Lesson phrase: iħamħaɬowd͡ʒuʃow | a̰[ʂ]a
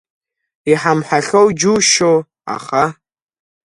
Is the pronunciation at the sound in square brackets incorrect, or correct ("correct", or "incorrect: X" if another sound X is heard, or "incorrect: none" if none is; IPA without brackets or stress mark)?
incorrect: χ